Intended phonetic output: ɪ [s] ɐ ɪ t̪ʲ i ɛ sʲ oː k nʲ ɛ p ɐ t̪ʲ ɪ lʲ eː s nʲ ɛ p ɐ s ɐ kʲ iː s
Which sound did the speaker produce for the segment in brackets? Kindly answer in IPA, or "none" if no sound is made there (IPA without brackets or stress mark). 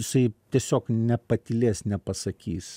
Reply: s